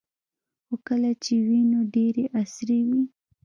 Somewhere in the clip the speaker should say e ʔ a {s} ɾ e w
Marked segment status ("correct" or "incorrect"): correct